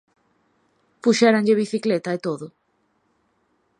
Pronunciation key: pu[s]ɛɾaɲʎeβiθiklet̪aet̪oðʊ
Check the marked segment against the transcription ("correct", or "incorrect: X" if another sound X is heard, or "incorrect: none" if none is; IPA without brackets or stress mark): incorrect: ʃ